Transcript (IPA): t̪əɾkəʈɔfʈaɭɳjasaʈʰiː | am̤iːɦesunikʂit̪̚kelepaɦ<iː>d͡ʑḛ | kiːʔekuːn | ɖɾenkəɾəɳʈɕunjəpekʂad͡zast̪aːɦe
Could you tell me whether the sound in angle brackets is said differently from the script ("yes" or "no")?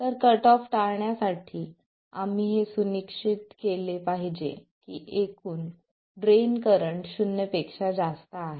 yes